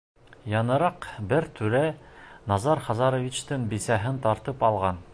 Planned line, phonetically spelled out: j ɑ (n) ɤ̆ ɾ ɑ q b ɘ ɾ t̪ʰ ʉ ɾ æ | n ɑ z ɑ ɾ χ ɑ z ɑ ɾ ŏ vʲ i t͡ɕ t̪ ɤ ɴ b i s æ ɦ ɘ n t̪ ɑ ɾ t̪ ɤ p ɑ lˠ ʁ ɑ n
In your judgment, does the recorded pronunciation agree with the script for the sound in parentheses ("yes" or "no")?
yes